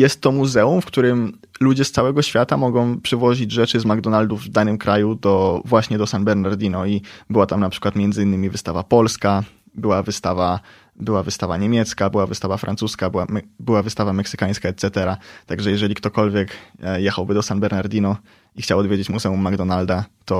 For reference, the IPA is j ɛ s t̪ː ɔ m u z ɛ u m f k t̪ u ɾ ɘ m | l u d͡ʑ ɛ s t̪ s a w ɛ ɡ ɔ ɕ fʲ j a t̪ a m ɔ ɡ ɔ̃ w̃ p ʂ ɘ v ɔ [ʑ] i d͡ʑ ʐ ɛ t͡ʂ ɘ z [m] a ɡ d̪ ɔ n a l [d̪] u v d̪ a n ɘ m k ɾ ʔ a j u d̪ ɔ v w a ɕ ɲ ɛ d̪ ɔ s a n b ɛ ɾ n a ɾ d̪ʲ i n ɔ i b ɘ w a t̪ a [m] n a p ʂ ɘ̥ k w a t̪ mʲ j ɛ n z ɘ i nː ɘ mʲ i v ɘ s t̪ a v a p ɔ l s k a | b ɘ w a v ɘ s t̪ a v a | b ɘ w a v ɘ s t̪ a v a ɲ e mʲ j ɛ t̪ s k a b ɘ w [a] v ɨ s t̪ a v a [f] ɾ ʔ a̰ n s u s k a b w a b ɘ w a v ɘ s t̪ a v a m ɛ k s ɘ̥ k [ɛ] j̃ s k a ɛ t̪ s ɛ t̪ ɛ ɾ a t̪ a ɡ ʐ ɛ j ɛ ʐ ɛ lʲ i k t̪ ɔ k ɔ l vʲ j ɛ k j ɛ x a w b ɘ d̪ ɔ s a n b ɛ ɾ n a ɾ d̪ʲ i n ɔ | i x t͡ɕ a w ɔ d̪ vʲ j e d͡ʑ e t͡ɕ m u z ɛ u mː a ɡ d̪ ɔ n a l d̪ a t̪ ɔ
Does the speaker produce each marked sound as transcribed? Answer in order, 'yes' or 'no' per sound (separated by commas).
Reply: yes, yes, yes, yes, yes, yes, no